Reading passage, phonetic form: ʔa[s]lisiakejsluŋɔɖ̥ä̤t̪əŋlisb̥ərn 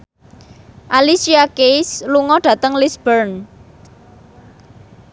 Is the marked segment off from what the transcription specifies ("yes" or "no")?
yes